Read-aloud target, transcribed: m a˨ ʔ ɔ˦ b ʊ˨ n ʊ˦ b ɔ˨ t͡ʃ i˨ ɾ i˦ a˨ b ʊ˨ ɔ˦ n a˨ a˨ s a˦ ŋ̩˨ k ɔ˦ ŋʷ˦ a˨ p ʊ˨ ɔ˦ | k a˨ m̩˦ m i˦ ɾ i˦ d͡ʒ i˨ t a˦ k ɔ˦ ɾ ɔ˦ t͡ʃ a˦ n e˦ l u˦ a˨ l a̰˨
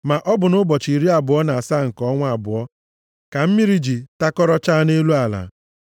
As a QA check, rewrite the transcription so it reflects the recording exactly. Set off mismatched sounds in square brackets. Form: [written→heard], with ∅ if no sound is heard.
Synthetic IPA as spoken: m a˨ ʔ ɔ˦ b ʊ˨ n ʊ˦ b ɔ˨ t͡ʃ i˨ ɾ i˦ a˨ b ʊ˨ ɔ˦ n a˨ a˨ s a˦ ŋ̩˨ k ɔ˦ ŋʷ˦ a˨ [p→b] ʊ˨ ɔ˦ | k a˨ m̩˦ m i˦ ɾ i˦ d͡ʒ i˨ t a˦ k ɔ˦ ɾ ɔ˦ t͡ʃ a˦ n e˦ l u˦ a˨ l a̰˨